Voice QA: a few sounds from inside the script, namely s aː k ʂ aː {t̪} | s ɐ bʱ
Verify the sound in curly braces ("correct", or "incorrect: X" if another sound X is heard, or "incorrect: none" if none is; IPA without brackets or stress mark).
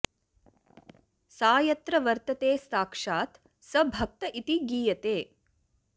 correct